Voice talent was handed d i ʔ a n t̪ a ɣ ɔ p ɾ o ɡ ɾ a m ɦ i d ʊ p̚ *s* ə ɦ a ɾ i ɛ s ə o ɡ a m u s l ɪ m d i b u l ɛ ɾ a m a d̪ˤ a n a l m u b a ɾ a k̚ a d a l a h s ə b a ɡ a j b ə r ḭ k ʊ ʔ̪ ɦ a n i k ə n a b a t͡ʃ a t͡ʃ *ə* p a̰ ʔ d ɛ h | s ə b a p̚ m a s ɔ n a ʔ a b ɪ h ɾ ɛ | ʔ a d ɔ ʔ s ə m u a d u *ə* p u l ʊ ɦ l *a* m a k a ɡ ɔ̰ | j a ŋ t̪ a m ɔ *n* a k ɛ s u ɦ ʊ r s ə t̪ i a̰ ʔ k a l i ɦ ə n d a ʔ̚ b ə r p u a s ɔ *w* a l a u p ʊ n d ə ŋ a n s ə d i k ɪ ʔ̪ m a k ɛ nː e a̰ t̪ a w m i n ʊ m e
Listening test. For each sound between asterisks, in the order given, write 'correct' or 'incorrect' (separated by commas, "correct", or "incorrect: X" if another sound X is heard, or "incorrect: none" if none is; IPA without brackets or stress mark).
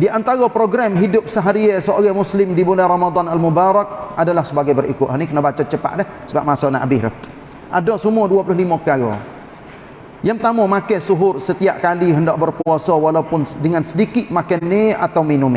correct, correct, incorrect: a, incorrect: i, incorrect: m, correct